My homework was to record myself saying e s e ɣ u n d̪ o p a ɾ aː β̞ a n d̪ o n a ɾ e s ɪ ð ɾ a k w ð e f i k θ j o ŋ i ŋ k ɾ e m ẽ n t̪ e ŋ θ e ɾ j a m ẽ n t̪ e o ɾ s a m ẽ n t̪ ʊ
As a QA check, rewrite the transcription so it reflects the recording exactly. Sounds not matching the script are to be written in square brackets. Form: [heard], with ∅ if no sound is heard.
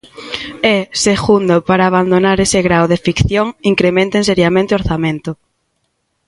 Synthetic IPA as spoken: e s e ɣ u n d̪ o p a ɾ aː β̞ a n d̪ o n a ɾ e s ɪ [ɣ] ɾ a [∅] w ð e f i k θ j o ŋ i ŋ k ɾ e m ẽ n t̪ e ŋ [s] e ɾ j a m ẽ n t̪ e o ɾ [θ] a m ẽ n t̪ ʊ